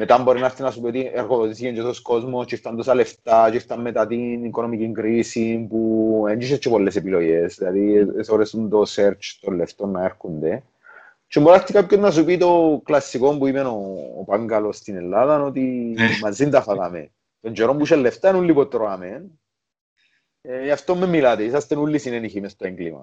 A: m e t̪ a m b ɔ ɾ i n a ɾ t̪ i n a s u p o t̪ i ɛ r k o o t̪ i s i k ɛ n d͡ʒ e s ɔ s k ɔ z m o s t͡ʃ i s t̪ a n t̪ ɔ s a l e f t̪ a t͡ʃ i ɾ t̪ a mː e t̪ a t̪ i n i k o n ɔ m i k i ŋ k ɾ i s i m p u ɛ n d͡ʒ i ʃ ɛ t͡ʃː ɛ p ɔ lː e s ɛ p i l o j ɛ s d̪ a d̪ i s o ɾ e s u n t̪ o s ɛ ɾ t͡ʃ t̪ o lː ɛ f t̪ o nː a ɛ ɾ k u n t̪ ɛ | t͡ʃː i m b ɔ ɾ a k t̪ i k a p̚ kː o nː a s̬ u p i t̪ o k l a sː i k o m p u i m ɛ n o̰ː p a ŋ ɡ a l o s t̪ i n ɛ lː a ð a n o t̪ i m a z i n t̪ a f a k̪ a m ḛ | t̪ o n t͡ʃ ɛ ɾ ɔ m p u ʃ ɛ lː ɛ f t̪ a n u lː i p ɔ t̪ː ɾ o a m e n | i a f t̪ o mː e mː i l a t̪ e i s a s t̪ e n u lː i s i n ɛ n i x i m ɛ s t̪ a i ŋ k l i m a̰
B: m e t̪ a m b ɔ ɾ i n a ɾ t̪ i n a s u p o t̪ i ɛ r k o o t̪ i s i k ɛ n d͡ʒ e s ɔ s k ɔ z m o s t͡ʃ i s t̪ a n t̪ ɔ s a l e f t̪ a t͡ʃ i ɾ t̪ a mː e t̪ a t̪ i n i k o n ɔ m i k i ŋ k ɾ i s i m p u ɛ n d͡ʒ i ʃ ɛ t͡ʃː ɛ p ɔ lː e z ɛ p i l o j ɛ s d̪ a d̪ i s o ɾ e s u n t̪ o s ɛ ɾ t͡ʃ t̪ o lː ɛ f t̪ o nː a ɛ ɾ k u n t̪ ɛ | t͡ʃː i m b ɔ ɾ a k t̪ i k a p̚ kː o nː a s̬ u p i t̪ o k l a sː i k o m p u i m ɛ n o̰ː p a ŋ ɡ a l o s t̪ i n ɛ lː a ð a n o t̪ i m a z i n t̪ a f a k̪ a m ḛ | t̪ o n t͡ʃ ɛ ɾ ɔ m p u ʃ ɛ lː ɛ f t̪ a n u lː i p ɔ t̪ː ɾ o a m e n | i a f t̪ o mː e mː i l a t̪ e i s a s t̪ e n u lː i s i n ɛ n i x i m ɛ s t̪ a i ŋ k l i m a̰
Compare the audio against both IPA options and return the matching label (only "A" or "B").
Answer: A